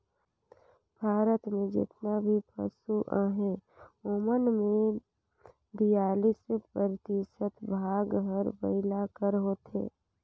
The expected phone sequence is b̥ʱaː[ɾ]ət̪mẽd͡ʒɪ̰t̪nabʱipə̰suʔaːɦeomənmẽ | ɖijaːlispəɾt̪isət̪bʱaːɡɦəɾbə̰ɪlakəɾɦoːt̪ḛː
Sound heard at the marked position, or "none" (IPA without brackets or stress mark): ɾ